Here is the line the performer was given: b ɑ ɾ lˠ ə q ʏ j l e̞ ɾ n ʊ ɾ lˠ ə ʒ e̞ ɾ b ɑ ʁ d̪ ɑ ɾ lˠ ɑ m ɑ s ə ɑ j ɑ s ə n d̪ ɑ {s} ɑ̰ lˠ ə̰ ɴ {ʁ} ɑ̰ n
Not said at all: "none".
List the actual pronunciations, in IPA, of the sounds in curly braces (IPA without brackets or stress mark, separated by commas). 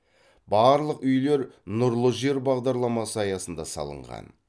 s, ʁ